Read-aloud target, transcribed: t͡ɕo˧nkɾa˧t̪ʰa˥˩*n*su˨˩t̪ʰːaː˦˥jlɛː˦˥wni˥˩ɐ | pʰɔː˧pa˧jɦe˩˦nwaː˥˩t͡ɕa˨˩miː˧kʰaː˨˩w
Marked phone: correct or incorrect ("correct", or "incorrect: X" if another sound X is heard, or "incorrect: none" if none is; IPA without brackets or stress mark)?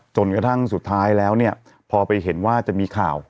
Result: incorrect: ŋ